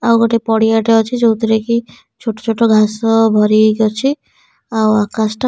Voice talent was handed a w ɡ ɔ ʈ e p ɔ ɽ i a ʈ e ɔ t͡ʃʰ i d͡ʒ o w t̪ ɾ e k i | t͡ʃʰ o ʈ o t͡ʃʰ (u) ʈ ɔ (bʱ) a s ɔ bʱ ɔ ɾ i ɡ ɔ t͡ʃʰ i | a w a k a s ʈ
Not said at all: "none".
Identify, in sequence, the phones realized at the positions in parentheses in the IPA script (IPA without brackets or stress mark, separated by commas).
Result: o, ɡʱ